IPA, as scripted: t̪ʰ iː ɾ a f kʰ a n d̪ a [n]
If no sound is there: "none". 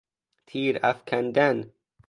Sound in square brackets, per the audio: n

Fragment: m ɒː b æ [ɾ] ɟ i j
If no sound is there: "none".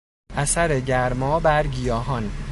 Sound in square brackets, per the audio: ɾ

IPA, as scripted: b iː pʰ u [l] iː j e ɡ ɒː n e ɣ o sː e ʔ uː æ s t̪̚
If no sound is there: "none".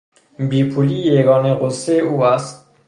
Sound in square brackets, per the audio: l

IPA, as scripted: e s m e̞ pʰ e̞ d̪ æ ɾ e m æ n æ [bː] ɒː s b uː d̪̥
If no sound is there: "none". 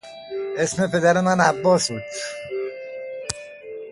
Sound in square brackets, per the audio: bː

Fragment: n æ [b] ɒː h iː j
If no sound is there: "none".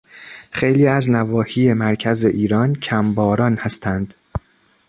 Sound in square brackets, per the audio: v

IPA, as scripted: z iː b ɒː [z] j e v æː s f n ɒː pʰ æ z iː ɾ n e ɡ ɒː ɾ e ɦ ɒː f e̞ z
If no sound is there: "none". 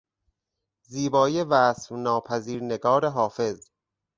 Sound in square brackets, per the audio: none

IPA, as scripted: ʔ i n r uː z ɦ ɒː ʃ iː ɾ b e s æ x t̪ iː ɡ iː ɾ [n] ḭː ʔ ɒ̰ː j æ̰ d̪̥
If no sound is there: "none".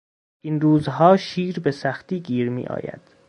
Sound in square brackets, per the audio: m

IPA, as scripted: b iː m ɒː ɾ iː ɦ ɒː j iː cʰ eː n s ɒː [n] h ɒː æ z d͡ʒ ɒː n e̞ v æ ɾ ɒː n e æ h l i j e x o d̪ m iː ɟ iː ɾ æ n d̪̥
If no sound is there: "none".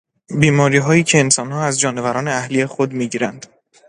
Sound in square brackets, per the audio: n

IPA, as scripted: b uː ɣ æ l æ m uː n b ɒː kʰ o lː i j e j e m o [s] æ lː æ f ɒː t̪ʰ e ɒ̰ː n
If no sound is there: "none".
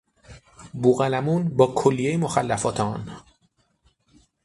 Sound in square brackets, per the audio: x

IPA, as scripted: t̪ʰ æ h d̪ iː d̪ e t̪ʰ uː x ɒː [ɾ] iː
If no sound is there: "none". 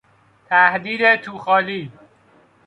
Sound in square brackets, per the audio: l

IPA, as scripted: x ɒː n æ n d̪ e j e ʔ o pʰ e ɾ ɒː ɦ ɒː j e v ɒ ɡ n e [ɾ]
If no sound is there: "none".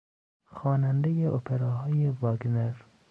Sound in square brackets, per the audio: ɾ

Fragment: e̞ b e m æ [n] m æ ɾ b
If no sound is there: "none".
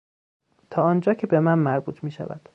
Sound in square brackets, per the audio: n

